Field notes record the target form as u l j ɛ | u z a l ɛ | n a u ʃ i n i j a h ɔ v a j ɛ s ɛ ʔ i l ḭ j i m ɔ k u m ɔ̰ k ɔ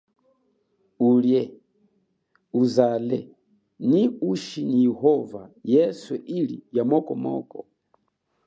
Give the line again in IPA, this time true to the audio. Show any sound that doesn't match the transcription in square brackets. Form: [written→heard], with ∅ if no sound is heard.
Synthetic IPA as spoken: u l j ɛ | u z a l ɛ | n [a→i] u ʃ i n i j [a→ɛ] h ɔ v a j ɛ s ɛ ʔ i l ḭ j [i→a] m ɔ k [u→ɔ] m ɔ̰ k ɔ